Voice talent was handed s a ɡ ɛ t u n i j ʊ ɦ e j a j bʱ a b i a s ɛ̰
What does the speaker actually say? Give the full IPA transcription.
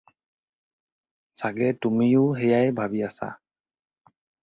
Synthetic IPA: s a ɡ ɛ t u m i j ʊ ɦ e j a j bʱ a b i a s a̰